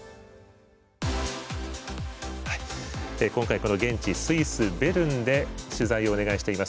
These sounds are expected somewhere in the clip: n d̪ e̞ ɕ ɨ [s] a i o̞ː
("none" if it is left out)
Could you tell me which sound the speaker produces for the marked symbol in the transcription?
z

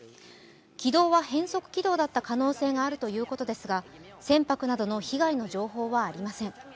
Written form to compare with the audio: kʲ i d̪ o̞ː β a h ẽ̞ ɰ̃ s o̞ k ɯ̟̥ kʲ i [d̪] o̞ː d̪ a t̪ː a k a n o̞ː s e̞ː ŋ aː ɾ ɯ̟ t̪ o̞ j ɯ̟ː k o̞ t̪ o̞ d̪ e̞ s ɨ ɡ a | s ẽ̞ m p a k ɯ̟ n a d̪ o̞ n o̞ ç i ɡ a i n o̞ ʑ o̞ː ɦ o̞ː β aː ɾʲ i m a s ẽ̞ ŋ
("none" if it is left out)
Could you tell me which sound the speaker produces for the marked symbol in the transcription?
d̪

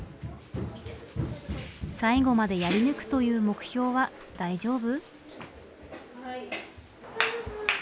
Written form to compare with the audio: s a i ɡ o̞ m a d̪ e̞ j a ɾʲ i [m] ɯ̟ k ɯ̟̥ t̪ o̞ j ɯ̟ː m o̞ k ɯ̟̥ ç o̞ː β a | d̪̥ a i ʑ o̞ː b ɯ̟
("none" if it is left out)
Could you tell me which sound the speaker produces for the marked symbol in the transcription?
n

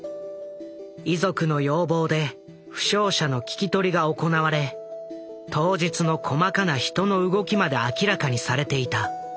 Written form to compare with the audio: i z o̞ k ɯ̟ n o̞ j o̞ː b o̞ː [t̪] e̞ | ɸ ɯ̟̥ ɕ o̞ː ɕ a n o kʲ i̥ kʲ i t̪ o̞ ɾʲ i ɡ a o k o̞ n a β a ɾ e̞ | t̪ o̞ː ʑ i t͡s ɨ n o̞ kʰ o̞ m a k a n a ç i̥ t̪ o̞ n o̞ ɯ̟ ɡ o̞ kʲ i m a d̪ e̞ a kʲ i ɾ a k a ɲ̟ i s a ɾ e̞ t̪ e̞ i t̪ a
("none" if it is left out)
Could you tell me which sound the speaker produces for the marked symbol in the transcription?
d̪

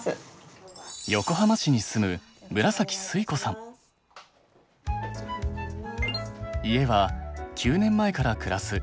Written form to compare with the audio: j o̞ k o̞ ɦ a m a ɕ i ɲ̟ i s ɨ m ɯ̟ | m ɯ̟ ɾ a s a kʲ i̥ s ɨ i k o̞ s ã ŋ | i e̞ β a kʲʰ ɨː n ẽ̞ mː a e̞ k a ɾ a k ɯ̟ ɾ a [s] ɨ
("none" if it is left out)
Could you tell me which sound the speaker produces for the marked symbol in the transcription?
s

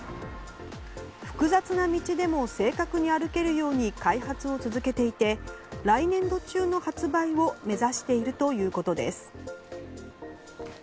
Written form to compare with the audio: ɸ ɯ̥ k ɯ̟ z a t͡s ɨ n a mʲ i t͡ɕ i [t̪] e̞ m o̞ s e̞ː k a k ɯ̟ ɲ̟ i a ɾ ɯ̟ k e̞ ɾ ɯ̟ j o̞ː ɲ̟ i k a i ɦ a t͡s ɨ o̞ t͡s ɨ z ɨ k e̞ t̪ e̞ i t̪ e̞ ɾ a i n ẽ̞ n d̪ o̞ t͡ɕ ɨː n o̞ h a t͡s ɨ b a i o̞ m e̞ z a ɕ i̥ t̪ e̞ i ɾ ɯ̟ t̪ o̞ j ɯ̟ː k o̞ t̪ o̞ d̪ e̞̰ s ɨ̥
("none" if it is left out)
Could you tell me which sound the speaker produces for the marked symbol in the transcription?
d̪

